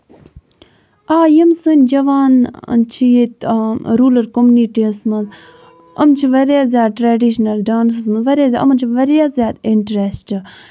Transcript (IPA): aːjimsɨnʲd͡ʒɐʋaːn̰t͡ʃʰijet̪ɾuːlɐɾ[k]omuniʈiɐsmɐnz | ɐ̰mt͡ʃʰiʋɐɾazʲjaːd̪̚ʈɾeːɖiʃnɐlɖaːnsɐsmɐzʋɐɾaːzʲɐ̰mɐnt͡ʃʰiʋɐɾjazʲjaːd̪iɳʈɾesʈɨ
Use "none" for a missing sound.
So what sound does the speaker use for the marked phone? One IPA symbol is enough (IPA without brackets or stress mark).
k